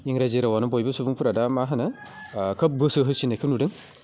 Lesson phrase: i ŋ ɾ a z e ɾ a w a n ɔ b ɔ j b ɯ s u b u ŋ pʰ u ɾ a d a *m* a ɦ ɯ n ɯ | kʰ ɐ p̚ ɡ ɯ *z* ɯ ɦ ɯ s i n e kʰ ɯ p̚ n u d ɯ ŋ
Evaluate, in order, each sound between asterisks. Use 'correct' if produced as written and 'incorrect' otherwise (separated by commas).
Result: correct, incorrect